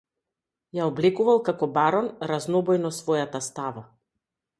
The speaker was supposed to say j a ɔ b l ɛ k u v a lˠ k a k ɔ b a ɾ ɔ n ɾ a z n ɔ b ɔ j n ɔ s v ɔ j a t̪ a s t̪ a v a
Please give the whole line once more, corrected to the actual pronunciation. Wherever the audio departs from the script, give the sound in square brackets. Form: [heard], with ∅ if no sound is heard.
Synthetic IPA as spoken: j a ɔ b l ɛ k u v a lˠ k a k ɔ b a ɾ ɔ n ɾ a z n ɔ b ɔ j n ɔ s v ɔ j a t̪ a s t̪ a v a